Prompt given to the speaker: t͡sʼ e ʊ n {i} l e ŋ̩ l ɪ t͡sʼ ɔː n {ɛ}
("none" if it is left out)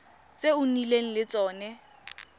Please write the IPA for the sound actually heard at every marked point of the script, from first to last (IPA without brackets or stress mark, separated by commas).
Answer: i, ɛ